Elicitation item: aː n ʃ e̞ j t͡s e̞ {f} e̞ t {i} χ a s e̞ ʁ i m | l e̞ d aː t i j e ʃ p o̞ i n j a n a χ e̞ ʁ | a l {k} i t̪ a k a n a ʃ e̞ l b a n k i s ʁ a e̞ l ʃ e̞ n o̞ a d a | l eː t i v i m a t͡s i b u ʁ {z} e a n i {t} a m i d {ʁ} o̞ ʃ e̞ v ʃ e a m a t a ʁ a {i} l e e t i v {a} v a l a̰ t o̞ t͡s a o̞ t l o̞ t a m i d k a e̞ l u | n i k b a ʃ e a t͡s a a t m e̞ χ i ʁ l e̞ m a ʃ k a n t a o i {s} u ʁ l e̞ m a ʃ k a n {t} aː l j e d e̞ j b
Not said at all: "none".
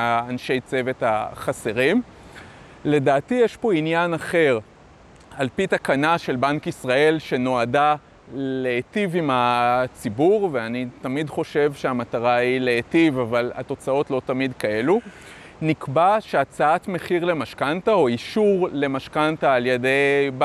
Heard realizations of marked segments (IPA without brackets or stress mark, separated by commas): v, a, p, v, t, χ, i, a, ʃ, t